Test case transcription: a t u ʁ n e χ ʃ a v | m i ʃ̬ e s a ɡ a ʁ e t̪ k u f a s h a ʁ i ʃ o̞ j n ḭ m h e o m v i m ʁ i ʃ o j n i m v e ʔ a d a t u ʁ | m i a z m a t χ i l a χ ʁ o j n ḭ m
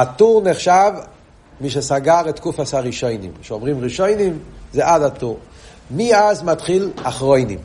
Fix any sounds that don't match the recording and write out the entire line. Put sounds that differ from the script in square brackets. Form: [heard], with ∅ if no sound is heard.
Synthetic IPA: a t u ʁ n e χ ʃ a v | m i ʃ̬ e s a ɡ a ʁ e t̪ k u f a s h a ʁ i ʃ o̞ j n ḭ m [ʃ] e o m [ʁ] i m ʁ i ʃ o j n i m [z] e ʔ a d a t u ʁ | m i a z m a t χ i l a χ ʁ o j n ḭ m